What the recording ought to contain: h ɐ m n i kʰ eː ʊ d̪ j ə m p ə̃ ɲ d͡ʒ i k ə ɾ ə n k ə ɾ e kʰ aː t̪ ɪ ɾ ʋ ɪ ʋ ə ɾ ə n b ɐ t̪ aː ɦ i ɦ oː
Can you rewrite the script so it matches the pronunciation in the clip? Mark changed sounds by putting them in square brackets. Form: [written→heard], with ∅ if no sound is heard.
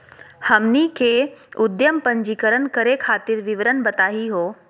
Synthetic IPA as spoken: h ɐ m n i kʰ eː ʊ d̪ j ə m p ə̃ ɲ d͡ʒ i k ə ɾ ə n k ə ɾ e kʰ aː t̪ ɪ ɾ ʋ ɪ ʋ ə ɾ ə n b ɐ t̪ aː ɦ i ɦ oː